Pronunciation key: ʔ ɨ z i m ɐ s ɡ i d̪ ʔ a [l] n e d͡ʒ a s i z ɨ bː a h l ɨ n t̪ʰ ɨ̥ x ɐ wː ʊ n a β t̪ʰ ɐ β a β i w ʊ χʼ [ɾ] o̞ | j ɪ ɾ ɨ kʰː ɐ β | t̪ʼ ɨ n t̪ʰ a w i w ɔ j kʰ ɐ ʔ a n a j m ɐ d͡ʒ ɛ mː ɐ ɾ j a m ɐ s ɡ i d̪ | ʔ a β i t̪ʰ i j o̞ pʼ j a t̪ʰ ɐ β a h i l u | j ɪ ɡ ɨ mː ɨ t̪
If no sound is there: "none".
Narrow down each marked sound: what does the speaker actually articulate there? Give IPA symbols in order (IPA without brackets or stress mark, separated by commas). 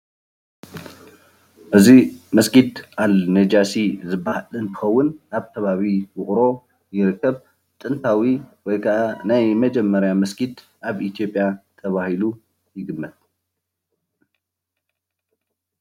l, ɾ